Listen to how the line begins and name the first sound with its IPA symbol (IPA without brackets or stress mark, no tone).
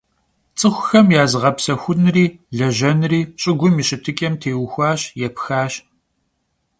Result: t͡sʼ